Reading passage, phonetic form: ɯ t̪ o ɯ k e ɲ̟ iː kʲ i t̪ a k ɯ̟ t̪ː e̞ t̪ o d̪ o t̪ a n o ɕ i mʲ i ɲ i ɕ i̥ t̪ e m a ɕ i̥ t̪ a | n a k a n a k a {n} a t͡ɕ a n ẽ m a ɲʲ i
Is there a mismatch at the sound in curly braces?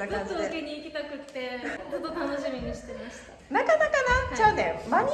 no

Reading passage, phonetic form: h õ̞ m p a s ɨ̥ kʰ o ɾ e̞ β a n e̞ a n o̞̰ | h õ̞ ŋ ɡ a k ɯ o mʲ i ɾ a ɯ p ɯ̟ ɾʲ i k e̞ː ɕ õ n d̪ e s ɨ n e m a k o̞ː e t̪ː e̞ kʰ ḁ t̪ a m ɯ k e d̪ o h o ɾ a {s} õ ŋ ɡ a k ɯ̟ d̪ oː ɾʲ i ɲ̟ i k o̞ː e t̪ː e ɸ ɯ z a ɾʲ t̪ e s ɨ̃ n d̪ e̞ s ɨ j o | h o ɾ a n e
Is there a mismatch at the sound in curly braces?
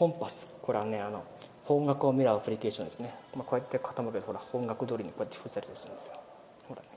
yes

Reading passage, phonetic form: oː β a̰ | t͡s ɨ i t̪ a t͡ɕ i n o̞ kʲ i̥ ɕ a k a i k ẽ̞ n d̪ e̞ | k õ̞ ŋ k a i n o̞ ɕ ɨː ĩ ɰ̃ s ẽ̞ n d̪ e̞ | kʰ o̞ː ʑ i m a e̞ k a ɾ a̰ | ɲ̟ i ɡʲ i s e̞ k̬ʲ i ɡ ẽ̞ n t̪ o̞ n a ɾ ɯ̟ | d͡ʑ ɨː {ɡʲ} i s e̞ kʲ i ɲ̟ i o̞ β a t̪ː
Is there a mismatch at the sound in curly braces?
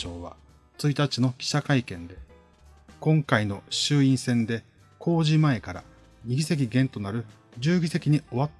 no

